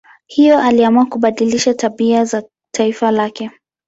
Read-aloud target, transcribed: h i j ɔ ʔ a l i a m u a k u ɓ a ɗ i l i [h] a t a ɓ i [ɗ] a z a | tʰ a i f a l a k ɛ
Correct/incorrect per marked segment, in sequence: incorrect: ʃ, incorrect: none

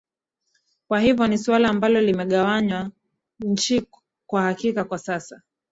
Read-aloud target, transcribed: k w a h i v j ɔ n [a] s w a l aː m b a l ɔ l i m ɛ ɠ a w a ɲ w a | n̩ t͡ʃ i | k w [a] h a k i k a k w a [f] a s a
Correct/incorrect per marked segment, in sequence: incorrect: i, correct, incorrect: s

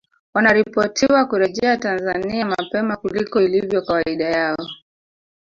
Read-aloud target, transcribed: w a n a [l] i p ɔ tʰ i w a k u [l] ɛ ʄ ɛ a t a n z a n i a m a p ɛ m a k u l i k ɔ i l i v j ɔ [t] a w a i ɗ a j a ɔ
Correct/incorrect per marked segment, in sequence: incorrect: ɾ, incorrect: ɾ, incorrect: k

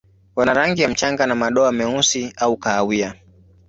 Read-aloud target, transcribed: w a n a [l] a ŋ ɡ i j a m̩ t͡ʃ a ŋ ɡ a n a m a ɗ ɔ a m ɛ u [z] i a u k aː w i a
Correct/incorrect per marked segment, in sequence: incorrect: ɾ, incorrect: s

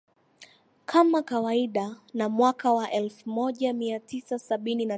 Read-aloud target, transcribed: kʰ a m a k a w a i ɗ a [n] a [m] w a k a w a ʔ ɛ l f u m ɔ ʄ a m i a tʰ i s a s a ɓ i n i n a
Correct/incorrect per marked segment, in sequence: correct, correct

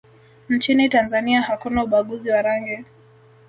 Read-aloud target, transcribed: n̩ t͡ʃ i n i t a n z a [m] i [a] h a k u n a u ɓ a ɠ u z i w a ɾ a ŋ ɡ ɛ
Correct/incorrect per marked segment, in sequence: incorrect: n, correct

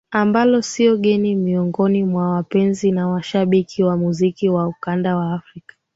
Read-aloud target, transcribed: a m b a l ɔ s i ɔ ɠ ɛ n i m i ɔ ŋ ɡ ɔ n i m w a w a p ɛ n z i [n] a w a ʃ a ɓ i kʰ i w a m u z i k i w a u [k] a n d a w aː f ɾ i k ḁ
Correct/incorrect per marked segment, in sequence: correct, correct

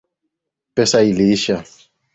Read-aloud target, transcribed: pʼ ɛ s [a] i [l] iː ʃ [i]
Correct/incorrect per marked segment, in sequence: correct, correct, incorrect: a

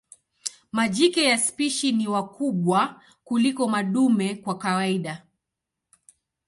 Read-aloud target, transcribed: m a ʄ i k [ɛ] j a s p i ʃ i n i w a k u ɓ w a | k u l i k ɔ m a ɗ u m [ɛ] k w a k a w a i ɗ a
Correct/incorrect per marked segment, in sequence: correct, correct

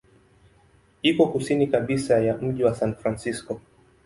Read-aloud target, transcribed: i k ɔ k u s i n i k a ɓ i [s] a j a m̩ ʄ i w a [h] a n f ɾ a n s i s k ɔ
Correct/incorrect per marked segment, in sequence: correct, incorrect: s

